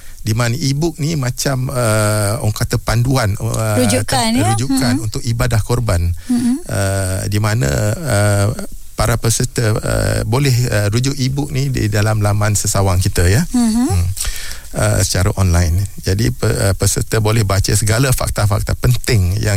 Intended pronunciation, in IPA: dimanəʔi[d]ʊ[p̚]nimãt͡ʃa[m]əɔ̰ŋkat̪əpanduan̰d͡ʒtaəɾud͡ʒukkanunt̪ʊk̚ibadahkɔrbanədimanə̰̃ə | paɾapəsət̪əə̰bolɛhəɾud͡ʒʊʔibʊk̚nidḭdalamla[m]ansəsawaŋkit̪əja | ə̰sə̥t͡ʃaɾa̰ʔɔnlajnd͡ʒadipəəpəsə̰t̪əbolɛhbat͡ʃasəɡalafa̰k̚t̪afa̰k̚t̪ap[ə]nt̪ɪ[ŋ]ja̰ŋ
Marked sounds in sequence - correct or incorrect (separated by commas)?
incorrect, incorrect, correct, correct, correct, correct